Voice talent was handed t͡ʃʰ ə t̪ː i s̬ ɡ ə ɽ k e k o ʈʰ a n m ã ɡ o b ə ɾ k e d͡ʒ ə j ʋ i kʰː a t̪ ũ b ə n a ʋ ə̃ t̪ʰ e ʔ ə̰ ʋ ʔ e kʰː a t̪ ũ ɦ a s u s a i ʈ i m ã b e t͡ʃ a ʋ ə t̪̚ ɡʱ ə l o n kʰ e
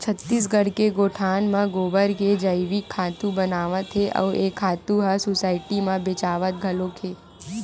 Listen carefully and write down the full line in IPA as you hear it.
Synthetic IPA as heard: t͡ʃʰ ə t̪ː i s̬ ɡ ə ɽ k e ɡ o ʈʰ a n m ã ɡ o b ə ɾ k e d͡ʒ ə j ʋ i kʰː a t̪ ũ b ə n a ʋ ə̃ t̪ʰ e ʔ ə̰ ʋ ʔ e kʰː a t̪ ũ ɦ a s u s a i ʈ i m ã b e t͡ʃ a ʋ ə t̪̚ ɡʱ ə l o kʰ e

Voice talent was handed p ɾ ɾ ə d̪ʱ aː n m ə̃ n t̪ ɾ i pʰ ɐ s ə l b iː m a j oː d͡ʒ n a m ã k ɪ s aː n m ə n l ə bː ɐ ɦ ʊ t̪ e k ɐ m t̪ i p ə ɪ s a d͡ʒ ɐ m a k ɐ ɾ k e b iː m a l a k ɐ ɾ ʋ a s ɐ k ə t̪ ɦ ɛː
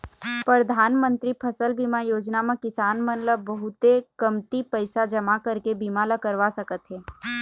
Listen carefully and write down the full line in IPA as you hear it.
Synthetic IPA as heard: p ɾ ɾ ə d̪ʱ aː n m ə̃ n t̪ ɾ i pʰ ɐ s ə l b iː m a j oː d͡ʒ n a m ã k ɪ s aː n m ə n l ə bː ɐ ɦ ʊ t̪ e k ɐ m t̪ i p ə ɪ s a d͡ʒ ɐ m a k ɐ ɾ k e b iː m a l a k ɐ ɾ ʋ a s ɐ k ə t̪ ɦ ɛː

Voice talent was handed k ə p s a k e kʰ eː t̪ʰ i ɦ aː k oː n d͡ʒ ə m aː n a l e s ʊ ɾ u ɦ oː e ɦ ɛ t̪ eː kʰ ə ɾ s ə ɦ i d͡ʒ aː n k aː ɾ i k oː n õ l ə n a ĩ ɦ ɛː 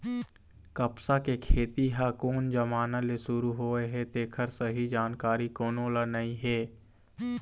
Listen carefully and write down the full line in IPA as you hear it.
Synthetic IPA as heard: k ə p s a k e kʰ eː t̪ i ɦ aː k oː n d͡ʒ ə m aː n a l e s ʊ ɾ u ɦ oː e ɦ ɛ t̪ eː kʰ ə ɾ s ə ɦ i d͡ʒ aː n k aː ɾ i k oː n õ l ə n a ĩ ɦ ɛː

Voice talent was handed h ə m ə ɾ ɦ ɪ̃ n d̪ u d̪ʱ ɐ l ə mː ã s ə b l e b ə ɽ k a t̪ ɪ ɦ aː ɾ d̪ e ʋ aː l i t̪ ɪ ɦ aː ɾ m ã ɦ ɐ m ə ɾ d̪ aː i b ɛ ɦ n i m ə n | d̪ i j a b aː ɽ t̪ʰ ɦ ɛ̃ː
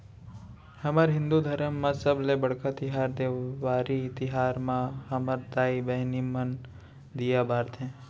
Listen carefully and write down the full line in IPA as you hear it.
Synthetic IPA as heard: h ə m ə ɾ ɦ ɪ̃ n d̪ u d̪ʱ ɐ ɾ ə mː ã s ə b l e b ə ɽ k a t̪ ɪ ɦ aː ɾ d̪ e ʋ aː ɾ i t̪ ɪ ɦ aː ɾ m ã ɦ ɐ m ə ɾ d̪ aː i b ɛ ɦ n i m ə n | d̪ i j a b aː ɾ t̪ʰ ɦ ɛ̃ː

